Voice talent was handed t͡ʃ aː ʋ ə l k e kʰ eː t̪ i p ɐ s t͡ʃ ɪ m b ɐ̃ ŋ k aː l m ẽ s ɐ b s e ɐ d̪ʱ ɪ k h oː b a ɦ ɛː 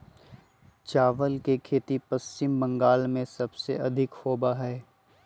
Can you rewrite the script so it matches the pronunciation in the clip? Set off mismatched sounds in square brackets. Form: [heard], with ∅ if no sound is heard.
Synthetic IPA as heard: t͡ʃ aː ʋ ə l k e kʰ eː t̪ i p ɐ s t͡ʃ ɪ m b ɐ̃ ŋ [ɡ] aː l m ẽ s ɐ b s e ɐ d̪ʱ ɪ k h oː b a ɦ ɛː

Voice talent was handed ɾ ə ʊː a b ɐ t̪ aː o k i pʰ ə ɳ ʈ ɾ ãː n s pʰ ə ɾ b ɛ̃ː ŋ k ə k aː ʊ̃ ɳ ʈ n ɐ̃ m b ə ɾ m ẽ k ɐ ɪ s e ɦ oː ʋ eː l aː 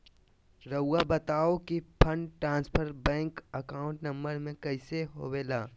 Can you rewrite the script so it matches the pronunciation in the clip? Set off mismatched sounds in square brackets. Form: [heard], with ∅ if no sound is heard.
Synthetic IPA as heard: ɾ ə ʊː a b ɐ t̪ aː o k i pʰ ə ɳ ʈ ɾ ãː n s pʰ ə ɾ b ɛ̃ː ŋ k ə k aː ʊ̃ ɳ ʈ n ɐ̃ m b ə ɾ m ẽ k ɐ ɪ s e ɦ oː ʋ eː l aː

